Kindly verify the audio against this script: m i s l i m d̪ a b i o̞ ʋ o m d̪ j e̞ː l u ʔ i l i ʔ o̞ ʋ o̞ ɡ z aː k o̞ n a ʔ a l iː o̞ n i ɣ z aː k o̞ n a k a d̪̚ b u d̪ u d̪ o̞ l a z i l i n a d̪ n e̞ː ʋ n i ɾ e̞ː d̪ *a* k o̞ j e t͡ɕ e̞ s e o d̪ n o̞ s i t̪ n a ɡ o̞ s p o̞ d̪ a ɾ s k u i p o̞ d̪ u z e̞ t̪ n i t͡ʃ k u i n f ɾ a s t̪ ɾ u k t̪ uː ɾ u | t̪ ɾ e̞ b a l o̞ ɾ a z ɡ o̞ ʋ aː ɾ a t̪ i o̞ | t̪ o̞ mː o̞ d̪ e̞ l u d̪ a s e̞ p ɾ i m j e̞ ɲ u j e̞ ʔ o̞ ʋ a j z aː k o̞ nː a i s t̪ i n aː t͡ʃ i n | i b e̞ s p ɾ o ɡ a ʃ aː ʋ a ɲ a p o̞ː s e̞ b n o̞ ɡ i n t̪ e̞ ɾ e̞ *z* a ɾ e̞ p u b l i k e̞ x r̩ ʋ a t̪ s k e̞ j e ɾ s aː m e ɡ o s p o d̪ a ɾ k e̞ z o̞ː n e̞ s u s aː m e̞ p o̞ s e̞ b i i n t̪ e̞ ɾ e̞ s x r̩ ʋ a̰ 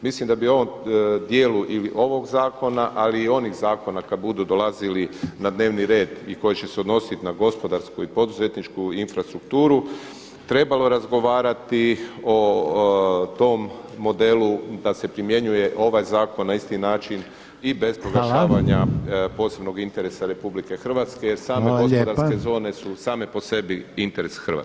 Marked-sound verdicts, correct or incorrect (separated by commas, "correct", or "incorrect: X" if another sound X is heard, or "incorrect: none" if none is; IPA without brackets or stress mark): incorrect: i, incorrect: s